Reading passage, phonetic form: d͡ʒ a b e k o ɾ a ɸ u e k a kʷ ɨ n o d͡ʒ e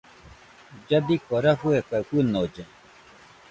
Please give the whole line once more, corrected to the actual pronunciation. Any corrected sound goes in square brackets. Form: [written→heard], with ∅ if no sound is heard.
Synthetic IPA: d͡ʒ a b [e→i] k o ɾ a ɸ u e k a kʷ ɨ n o d͡ʒ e

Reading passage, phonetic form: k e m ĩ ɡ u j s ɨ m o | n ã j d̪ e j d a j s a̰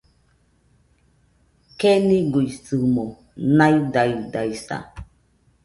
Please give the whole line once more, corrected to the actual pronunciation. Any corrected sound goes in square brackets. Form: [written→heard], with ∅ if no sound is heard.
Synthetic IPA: k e [m→n] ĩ ɡ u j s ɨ m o | n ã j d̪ [e→a] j d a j s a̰

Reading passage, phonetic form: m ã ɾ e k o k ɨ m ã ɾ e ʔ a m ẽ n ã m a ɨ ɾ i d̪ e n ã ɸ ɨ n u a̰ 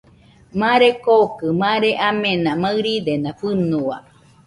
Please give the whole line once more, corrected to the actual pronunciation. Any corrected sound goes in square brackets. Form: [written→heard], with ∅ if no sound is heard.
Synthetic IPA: m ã ɾ e k o k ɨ m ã ɾ e ʔ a m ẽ n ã m a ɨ ɾ i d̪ e n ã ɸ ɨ n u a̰

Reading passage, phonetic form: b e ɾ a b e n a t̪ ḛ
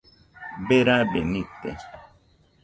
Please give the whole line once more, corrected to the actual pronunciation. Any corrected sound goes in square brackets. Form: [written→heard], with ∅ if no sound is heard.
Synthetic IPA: b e ɾ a b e n [a→i] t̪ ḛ

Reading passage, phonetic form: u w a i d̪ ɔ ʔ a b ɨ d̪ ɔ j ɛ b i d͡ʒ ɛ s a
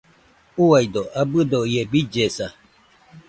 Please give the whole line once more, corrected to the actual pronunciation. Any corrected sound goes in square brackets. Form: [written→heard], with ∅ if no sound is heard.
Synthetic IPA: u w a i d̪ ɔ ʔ a b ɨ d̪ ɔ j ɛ b i d͡ʒ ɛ s a

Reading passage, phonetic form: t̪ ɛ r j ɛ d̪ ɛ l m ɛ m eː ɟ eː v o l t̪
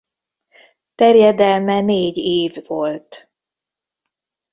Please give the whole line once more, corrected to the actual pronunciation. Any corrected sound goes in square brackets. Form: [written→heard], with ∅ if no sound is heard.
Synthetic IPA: t̪ ɛ r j ɛ d̪ ɛ l m ɛ [m→n] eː ɟ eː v o l t̪

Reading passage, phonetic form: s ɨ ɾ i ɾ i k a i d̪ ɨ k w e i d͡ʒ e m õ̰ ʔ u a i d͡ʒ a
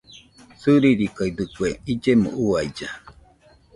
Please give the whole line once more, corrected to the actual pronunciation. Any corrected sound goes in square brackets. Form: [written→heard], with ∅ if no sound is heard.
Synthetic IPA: s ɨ ɾ i ɾ i k a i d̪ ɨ k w e i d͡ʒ e m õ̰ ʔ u a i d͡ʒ a

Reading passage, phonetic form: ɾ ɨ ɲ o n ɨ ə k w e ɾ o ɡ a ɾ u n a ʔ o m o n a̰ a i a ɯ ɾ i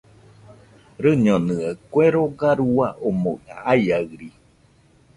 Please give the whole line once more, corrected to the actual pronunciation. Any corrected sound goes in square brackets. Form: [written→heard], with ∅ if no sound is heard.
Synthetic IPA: ɾ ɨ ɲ o n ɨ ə k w e ɾ o ɡ a ɾ u [n→∅] a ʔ o m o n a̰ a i a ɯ ɾ i

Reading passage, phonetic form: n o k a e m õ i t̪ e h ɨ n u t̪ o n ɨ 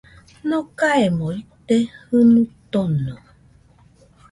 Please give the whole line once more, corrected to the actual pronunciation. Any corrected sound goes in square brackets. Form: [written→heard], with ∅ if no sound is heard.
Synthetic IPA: n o k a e m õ i t̪ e h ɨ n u t̪ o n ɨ

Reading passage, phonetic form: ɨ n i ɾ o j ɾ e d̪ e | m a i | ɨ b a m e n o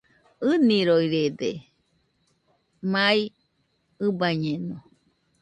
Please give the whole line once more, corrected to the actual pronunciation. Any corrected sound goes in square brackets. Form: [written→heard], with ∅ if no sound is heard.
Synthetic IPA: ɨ n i ɾ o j ɾ e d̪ e | m a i | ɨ b a [m→ɲ] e n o

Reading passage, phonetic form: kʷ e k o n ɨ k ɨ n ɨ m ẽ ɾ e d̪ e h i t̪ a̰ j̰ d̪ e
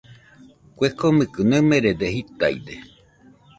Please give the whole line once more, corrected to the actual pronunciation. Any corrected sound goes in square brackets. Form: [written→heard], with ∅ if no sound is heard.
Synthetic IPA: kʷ e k o [n→m] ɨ k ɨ n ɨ m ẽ ɾ e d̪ e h i t̪ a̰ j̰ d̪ e

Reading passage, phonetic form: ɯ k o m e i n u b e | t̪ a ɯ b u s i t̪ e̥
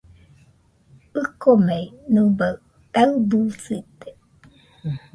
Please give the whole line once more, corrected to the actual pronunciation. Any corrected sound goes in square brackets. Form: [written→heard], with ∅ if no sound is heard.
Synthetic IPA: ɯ k o m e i n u b [e→a] | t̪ a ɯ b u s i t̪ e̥

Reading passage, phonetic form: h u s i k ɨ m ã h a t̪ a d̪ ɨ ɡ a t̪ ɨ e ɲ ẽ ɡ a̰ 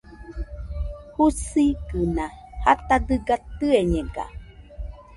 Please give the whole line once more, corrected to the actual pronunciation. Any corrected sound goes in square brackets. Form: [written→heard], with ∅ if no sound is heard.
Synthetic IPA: h u s i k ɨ [m→n] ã h a t̪ a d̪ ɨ ɡ a t̪ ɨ e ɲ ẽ ɡ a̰

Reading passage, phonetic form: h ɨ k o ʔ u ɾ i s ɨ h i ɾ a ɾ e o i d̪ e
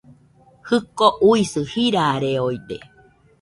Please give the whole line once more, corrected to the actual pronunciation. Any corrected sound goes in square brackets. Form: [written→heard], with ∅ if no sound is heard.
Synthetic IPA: h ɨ k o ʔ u [ɾ→∅] i s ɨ h i ɾ a ɾ e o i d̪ e

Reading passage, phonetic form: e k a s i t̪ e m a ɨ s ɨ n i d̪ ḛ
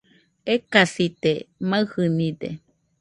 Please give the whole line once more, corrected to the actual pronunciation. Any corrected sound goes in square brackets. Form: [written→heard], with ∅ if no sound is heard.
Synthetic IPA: e k a s i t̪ e m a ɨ [s→h] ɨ n i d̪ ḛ

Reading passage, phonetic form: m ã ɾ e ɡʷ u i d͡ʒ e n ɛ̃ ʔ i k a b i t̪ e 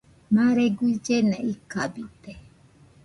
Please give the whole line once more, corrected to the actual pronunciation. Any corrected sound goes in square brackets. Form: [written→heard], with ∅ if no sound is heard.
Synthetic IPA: m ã ɾ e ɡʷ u i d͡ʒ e n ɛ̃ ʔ i k a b i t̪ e

